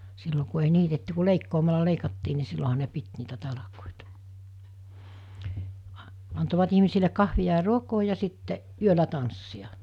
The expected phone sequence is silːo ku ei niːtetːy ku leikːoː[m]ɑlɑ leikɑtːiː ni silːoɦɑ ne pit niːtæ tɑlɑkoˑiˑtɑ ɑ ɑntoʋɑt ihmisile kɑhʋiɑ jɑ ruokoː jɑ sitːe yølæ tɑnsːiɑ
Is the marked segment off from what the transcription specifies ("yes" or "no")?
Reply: no